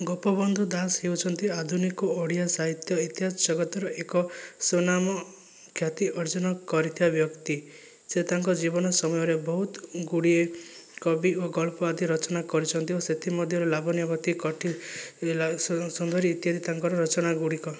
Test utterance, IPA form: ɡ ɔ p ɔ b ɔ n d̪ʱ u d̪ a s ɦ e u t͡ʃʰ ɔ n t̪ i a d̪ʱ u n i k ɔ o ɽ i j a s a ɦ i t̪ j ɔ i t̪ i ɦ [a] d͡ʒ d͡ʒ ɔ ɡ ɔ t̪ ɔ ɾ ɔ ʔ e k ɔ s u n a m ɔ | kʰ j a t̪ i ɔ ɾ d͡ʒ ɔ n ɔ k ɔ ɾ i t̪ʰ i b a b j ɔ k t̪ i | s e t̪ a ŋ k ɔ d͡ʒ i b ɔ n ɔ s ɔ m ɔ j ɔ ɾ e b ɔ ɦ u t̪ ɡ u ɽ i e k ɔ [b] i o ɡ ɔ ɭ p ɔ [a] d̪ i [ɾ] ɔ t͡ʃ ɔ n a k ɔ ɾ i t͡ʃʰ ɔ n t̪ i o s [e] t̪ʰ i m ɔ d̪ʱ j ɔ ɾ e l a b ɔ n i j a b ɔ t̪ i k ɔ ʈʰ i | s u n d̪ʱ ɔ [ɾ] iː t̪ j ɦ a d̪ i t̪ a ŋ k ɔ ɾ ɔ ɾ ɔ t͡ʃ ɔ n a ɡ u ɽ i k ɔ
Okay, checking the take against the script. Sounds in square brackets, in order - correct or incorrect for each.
correct, correct, correct, correct, correct, correct

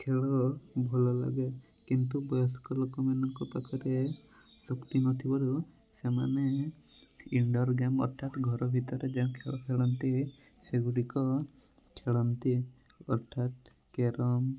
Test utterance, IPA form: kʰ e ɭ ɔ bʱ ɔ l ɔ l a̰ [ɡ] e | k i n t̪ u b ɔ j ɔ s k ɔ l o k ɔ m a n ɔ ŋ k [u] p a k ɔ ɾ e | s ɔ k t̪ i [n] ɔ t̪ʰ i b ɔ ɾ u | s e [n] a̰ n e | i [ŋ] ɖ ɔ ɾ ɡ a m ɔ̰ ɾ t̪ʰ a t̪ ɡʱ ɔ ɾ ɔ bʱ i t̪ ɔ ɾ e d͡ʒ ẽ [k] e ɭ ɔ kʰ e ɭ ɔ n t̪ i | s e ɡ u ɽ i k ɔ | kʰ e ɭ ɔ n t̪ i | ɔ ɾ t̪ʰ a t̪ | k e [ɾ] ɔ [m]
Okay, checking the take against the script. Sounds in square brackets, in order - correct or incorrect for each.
correct, incorrect: ɔ, correct, incorrect: m, incorrect: ɳ, incorrect: kʰ, correct, correct

